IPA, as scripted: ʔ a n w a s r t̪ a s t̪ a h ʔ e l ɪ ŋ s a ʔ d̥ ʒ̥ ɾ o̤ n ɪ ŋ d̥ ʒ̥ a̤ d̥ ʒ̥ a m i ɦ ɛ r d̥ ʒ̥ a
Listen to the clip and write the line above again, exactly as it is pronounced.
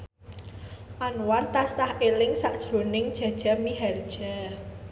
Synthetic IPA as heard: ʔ a n w a r t̪ a s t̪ a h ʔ e l ɪ ŋ s a ʔ d̥ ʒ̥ ɾ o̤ n ɪ ŋ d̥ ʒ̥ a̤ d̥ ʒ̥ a m i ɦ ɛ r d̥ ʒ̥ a